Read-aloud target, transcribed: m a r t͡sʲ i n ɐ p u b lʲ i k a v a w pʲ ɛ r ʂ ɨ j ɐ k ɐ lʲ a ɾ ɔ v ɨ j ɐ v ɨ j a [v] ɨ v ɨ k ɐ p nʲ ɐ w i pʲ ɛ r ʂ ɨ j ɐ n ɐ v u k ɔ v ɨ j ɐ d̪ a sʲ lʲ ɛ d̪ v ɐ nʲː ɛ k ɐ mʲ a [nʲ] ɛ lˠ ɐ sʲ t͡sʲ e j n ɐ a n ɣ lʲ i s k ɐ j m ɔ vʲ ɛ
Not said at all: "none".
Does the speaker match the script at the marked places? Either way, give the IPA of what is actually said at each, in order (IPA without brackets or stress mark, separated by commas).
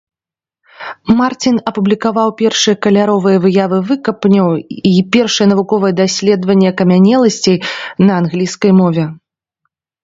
v, nʲ